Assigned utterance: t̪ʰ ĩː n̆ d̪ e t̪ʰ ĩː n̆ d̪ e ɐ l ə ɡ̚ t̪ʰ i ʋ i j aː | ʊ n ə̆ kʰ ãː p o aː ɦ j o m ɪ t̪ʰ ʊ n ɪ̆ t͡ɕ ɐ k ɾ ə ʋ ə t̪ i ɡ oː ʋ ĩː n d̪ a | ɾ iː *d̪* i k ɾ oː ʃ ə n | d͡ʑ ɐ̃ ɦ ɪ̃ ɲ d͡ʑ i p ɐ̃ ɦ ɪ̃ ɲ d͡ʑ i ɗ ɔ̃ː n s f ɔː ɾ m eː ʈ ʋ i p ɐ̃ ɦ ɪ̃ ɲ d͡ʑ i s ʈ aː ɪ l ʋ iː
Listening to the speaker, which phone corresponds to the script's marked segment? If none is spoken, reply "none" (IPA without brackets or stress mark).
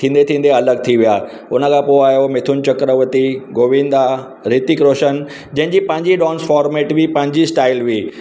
t̪